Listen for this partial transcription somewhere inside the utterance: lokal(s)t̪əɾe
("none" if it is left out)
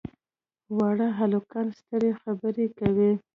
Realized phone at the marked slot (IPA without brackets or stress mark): s